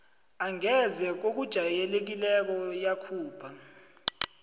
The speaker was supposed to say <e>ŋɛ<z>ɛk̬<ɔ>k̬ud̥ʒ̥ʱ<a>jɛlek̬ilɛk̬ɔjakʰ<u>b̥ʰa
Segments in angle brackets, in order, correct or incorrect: incorrect, correct, incorrect, correct, incorrect

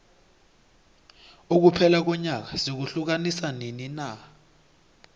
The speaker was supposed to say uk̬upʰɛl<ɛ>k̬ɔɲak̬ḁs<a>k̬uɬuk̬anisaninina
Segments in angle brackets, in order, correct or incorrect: incorrect, incorrect

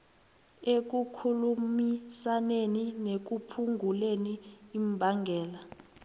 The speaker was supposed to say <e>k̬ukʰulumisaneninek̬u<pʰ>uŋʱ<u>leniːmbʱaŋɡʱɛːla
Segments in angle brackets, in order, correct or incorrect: correct, correct, correct

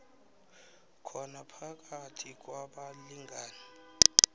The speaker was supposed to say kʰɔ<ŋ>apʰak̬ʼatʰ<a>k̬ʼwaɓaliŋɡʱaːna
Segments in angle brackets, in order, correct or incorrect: incorrect, incorrect

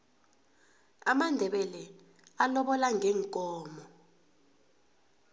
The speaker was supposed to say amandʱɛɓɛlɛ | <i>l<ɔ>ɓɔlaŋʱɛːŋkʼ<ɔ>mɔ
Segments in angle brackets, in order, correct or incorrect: incorrect, correct, incorrect

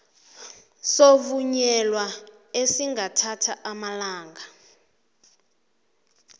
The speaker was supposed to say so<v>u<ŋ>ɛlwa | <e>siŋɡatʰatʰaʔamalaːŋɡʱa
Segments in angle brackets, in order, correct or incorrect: correct, incorrect, correct

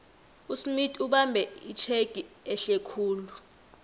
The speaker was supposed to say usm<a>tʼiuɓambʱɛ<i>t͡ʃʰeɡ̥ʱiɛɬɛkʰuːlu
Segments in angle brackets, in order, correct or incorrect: incorrect, correct

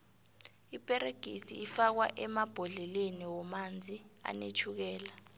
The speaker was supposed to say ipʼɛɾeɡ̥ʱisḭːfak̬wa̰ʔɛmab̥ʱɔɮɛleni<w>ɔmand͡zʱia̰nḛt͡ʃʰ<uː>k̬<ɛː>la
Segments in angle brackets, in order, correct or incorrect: correct, incorrect, correct

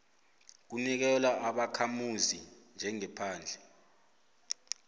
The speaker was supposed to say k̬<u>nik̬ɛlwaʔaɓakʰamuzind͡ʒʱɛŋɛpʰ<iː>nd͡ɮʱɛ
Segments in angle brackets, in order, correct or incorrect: correct, incorrect

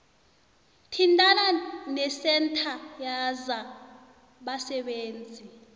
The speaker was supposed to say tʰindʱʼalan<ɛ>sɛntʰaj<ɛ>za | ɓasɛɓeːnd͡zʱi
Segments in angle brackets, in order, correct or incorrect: correct, incorrect

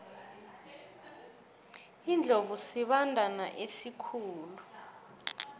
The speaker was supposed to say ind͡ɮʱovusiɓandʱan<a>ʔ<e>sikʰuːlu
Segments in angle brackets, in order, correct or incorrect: correct, correct

